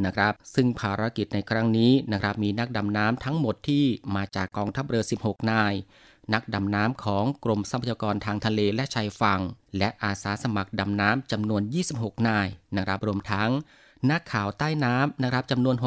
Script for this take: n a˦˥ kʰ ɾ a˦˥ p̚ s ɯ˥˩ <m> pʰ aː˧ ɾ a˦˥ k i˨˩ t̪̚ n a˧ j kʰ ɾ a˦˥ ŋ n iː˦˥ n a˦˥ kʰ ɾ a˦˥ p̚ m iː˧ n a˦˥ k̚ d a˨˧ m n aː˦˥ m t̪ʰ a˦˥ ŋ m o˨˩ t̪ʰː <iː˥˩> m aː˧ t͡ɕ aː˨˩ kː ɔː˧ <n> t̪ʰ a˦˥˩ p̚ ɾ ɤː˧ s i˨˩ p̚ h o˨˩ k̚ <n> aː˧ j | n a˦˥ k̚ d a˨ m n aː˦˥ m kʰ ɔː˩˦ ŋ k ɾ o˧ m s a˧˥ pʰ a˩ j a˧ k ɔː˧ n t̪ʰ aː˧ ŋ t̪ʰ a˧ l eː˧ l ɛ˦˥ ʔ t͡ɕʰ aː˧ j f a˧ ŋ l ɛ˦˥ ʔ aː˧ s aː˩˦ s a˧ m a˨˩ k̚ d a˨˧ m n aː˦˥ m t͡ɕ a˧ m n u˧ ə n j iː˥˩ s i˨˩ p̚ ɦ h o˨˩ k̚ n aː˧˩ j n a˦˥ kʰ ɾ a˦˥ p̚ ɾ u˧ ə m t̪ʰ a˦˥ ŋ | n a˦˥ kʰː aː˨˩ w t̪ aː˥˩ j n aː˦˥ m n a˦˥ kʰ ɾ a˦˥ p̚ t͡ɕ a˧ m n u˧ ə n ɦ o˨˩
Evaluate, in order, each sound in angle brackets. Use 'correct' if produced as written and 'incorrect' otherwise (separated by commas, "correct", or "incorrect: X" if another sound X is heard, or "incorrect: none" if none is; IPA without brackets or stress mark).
incorrect: ŋ, correct, incorrect: ŋ, correct